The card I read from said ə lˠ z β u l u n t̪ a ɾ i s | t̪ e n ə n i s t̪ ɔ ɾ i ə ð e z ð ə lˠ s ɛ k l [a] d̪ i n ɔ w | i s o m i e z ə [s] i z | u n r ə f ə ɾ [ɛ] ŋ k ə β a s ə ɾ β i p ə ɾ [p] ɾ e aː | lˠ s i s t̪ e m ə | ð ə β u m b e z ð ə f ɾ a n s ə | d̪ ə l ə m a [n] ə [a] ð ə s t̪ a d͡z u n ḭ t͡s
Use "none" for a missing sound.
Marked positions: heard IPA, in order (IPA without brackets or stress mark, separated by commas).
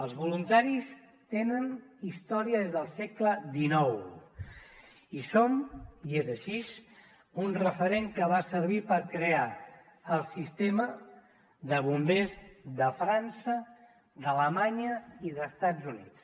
ə, ʃ, e, k, ɲ, i